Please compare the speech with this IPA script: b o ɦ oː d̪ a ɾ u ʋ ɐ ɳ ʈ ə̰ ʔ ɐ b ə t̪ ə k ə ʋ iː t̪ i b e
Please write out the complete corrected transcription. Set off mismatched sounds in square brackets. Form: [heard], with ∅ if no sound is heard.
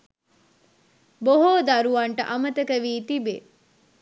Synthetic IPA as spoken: b o ɦ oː d̪ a ɾ u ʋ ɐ ɳ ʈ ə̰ ʔ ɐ [m] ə t̪ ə k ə ʋ iː t̪ i b e